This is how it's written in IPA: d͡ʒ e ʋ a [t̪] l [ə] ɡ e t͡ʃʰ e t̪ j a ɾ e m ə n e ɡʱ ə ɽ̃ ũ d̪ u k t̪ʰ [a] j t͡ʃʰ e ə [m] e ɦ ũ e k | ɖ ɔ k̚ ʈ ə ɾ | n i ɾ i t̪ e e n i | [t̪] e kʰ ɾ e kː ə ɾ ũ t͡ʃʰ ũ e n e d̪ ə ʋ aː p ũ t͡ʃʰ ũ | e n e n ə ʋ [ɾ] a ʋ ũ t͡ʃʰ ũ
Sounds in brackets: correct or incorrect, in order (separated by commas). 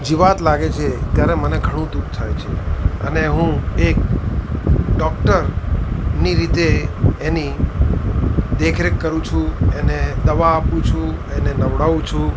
correct, incorrect, correct, incorrect, incorrect, incorrect